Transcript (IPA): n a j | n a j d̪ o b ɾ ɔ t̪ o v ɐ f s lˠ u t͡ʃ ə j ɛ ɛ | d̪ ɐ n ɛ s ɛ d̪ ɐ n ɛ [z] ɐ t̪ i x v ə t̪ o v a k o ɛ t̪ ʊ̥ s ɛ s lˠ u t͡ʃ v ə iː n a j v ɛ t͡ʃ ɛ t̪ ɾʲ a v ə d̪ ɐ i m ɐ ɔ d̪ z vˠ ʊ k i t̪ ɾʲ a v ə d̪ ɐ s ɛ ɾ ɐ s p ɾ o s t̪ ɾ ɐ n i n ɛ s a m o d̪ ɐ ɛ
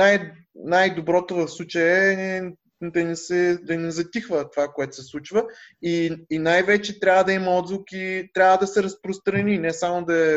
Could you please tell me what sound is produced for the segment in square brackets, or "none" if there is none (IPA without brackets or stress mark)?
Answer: z